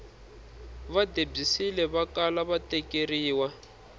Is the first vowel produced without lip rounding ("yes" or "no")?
yes